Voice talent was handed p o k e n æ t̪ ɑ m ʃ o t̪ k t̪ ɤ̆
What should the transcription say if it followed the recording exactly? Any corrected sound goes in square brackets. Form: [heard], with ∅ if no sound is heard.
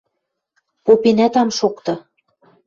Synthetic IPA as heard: p o [p] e n æ t̪ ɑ m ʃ o [∅] k t̪ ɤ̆